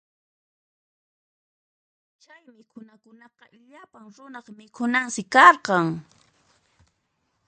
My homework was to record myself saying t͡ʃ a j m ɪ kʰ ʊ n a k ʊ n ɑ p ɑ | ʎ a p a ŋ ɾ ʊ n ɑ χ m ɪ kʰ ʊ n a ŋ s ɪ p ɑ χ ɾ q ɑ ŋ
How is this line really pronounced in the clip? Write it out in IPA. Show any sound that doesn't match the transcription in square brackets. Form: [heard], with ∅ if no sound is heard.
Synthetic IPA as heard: t͡ʃ a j m ɪ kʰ ʊ n a k ʊ n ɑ [q] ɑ | ʎ a p a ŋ ɾ ʊ n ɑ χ m ɪ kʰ ʊ n a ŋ s ɪ [k] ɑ [∅] ɾ q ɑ ŋ